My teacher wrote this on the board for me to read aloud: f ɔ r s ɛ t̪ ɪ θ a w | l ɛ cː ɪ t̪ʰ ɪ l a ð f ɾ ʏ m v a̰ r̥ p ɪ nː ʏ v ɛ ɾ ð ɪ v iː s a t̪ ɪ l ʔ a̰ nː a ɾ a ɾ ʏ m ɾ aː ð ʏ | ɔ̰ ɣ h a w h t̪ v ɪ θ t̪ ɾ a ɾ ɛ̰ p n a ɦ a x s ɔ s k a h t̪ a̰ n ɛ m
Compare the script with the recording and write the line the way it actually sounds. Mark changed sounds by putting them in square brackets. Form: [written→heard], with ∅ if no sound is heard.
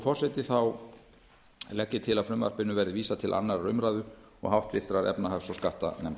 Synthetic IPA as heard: f ɔ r s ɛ t̪ ɪ θ a w | l ɛ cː ɪ t̪ʰ ɪ l a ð f ɾ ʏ m v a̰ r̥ p ɪ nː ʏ v ɛ ɾ ð ɪ v iː s a [t̪→t̪ʰ] ɪ l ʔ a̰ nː a ɾ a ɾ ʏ m ɾ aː ð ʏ | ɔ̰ ɣ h a w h t̪ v ɪ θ t̪ ɾ a ɾ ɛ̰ p n a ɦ a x s ɔ s k a h t̪ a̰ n ɛ m

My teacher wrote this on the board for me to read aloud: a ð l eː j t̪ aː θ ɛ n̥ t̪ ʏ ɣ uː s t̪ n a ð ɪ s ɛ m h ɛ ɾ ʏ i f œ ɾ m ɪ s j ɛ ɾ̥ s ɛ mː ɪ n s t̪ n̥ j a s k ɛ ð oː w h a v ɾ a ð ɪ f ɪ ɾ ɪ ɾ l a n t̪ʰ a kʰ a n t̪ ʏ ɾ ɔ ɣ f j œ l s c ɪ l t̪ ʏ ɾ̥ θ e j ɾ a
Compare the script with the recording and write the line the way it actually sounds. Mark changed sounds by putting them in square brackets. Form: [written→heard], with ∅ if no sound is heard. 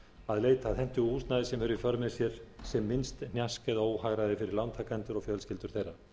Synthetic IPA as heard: a ð l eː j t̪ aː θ ɛ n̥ t̪ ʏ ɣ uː s t̪ n a ð ɪ s ɛ m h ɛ ɾ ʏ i f œ ɾ m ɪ s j ɛ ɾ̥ s ɛ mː ɪ n s t̪ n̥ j a s k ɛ ð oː w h a [v→ɣ] ɾ a ð ɪ f ɪ ɾ ɪ ɾ l a n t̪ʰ a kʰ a n t̪ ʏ ɾ ɔ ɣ f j œ l s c ɪ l t̪ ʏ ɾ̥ θ e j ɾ a

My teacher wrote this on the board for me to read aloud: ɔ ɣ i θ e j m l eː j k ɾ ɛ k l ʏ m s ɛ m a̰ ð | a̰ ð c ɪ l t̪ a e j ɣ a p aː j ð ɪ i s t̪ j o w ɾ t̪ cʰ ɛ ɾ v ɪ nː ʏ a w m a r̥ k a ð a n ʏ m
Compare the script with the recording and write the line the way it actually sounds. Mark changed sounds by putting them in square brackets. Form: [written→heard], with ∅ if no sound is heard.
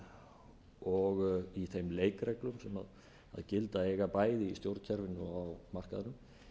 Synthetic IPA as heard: ɔ ɣ i θ e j m l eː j k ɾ ɛ k l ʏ m s ɛ m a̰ ð | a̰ ð c ɪ l t̪ a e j ɣ a p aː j ð ɪ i s t̪ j o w ɾ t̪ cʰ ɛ ɾ v ɪ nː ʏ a w m a r̥ k a ð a n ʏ m

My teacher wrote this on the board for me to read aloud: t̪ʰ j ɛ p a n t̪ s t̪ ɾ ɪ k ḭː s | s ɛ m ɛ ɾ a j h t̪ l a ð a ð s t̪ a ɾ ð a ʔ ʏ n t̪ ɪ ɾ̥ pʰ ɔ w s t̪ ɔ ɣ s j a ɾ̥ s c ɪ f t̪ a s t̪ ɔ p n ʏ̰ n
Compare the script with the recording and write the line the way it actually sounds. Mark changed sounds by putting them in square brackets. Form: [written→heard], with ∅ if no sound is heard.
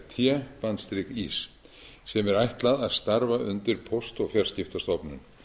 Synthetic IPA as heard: t̪ʰ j ɛ p a n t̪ s t̪ ɾ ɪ k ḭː s | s ɛ m ɛ ɾ a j h t̪ l a ð a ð s t̪ a ɾ [ð→v] a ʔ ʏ n t̪ ɪ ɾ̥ pʰ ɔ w s t̪ ɔ ɣ [s→f] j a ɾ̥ s c ɪ f t̪ a s t̪ ɔ p n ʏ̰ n

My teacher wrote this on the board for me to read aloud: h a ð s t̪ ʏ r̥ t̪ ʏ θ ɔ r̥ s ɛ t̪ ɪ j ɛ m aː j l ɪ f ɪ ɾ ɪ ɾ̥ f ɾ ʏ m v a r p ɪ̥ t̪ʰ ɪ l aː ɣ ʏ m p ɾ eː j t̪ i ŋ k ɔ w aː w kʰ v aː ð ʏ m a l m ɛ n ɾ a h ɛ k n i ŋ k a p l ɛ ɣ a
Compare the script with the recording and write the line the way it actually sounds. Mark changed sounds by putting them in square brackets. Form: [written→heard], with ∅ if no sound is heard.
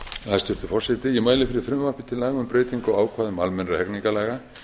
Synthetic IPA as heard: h a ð s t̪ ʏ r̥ t̪ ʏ [θ→f] ɔ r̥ s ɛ t̪ ɪ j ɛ m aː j l ɪ f ɪ ɾ ɪ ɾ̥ f ɾ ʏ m v a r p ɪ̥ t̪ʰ ɪ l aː ɣ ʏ m p ɾ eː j t̪ i ŋ k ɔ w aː w kʰ v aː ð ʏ m a l m ɛ n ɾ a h ɛ k n i ŋ k a [p→∅] l ɛ ɣ a

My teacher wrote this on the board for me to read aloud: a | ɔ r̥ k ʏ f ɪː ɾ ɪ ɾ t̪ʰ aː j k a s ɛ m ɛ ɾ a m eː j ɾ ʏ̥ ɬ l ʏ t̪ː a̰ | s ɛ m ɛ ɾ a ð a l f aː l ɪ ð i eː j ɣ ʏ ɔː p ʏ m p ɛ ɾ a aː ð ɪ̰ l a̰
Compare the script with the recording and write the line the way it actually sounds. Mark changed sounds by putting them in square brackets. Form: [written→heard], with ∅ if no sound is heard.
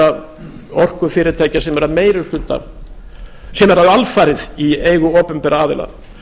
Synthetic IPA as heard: a | ɔ r̥ k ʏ f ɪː ɾ ɪ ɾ t̪ʰ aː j [k→c] a s ɛ m ɛ ɾ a m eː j ɾ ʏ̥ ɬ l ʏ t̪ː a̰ | s ɛ m ɛ ɾ a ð a l f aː [l→ɾ] ɪ ð i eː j ɣ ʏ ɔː p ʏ m p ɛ ɾ a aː ð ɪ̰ l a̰

